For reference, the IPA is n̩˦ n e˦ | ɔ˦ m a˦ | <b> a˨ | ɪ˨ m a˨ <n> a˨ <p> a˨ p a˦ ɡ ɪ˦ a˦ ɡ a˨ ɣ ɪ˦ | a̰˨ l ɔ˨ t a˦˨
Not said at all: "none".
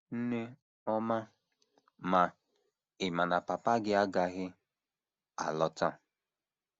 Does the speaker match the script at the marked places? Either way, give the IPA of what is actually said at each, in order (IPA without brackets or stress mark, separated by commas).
m, n, p